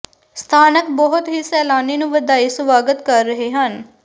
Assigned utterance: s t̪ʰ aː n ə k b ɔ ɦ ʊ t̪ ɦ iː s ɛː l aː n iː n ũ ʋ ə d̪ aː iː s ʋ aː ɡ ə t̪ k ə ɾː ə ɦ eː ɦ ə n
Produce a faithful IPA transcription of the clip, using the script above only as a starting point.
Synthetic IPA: s t̪ʰ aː n ə k b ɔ ɦ ʊ t̪ ɦ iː s ɛː l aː n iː n ũ ʋ ə d̪ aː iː s ʋ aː ɡ ə t̪ k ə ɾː ə ɦ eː ɦ ə n